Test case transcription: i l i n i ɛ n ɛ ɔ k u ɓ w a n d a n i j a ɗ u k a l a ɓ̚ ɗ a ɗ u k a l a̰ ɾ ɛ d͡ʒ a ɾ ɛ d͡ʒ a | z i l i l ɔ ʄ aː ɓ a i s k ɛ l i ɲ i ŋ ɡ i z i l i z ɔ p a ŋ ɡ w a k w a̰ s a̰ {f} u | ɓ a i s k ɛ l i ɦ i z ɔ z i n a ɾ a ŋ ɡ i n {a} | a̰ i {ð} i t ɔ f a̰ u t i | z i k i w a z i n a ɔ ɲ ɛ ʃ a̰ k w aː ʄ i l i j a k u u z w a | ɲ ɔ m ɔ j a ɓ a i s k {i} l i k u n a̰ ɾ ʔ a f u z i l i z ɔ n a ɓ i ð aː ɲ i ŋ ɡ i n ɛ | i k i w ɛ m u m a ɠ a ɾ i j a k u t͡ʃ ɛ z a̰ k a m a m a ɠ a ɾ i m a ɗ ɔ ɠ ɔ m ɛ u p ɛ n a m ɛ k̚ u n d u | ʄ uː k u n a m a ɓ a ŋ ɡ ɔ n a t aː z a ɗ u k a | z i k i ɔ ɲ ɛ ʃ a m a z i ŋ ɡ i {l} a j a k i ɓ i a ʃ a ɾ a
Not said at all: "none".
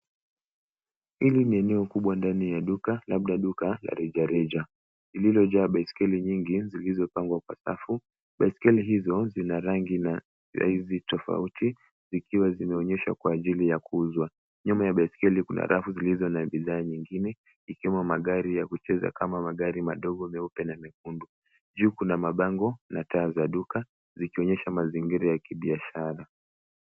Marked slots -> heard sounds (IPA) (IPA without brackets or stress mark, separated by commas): f, a, z, ɛ, ɾ